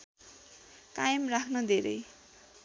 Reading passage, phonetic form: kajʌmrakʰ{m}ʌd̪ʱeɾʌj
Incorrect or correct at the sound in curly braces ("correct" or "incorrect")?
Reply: incorrect